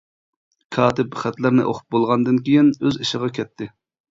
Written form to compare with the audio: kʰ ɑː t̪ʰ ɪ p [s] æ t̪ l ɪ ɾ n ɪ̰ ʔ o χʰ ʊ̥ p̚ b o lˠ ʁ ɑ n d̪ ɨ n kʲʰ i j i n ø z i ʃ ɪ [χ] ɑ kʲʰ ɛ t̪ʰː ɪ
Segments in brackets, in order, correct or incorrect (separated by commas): incorrect, incorrect